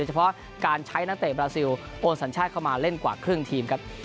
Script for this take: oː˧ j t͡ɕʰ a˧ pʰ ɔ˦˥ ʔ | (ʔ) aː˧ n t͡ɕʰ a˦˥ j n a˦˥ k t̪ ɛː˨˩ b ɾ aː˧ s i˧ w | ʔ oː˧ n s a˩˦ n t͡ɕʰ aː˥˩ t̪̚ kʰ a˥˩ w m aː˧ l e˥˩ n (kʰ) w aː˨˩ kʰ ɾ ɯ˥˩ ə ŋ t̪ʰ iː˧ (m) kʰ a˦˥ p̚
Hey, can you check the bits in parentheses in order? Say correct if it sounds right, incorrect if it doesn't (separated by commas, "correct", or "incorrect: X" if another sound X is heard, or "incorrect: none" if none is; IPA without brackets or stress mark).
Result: incorrect: k, incorrect: k, correct